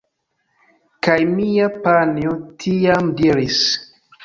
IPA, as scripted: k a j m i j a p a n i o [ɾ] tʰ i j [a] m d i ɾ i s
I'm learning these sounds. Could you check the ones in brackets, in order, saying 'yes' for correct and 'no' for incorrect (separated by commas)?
no, yes